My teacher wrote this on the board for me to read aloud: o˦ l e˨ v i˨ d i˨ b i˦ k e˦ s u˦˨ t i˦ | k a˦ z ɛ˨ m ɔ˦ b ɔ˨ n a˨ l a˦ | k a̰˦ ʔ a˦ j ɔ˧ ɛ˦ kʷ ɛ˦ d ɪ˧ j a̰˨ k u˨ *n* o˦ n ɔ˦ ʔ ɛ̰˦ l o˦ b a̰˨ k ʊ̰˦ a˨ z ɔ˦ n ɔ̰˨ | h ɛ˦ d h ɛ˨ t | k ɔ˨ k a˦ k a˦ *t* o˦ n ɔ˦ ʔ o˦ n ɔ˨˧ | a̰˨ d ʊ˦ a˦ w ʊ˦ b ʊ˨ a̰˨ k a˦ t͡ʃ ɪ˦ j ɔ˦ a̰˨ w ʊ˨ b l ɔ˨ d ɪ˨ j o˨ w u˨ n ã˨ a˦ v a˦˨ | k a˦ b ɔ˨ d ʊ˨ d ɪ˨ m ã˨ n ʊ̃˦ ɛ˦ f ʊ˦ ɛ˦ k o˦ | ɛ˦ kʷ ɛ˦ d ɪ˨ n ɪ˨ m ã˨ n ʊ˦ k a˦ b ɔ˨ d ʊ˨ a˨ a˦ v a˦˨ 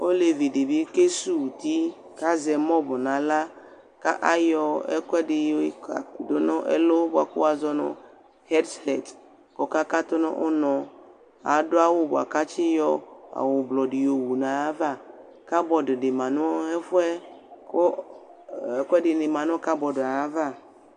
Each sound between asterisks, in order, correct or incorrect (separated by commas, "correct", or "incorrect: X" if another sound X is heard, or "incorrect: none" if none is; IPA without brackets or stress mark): incorrect: d, correct